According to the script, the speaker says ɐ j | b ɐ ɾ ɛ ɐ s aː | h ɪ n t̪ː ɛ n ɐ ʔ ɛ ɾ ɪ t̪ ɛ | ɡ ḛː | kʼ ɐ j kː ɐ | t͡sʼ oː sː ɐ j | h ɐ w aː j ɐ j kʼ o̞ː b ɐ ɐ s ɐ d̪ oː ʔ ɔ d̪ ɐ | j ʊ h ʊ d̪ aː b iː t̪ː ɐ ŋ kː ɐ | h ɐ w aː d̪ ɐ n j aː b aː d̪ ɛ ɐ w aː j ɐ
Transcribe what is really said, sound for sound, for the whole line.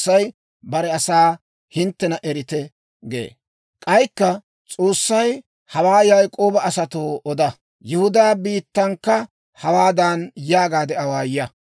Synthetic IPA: ɐ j | b ɐ ɾ ɛ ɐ s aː | h ɪ n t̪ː ɛ n ɐ ʔ ɛ ɾ ɪ t̪ ɛ | ɡ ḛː | kʼ ɐ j kː ɐ | t͡sʼ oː sː ɐ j | h ɐ w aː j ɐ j kʼ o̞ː b ɐ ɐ s ɐ t̪ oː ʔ ɔ d̪ ɐ | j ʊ h ʊ d̪ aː b iː t̪ː ɐ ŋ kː ɐ | h ɐ w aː d̪ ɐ n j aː ɡ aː d̪ ɛ ɐ w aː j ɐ